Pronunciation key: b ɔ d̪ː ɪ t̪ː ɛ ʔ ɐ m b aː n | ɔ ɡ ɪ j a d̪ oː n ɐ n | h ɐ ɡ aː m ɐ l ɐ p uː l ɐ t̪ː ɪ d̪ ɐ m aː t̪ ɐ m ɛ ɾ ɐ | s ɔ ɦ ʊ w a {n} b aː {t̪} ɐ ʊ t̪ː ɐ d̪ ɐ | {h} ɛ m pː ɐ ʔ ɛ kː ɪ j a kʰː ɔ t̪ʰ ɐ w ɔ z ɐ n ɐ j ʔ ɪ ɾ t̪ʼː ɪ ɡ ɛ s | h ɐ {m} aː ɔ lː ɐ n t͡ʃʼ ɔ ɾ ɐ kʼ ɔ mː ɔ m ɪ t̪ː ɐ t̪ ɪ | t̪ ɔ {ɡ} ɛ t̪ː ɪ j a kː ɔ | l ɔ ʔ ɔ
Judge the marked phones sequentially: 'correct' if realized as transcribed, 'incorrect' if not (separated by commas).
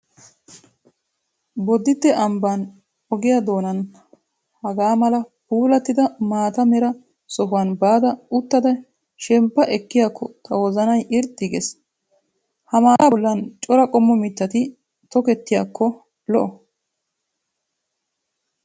correct, incorrect, incorrect, correct, incorrect